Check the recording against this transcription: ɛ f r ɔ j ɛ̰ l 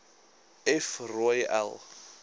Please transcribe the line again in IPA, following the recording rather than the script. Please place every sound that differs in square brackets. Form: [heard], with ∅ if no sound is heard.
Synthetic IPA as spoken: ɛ f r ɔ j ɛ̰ l